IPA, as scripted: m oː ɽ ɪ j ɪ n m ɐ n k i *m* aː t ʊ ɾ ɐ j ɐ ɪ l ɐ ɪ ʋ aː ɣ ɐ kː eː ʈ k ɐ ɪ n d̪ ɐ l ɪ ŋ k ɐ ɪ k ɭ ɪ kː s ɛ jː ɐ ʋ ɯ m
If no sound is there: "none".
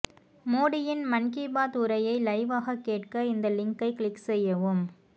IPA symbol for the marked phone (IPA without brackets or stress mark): b